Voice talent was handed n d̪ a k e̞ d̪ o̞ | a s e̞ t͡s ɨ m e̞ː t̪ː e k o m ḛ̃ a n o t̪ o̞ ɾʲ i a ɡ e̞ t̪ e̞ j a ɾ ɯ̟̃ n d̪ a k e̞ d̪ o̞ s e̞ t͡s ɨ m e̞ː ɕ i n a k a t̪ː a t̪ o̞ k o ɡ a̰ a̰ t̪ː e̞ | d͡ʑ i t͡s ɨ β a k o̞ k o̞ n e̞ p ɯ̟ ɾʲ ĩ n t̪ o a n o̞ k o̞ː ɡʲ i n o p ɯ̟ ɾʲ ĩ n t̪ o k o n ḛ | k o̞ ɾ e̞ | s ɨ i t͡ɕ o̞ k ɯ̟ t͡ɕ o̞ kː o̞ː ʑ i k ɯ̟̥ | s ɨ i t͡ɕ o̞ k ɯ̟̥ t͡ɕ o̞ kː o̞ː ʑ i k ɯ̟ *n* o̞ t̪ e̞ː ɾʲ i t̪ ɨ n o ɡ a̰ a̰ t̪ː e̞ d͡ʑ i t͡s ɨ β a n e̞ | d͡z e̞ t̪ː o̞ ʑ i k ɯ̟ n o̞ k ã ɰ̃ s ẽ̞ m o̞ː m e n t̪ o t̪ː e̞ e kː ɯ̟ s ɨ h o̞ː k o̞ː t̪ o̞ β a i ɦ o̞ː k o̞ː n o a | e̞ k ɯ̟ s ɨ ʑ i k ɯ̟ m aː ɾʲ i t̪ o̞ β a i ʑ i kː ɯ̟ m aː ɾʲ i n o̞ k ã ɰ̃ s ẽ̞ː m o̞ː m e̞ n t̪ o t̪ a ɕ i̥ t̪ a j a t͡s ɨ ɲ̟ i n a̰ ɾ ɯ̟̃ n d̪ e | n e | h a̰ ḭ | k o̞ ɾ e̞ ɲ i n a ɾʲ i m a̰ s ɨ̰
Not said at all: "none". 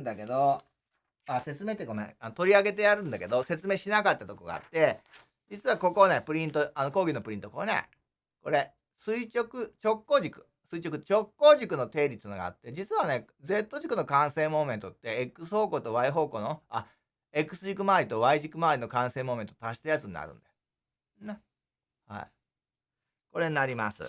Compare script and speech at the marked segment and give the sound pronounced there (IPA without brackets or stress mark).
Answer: n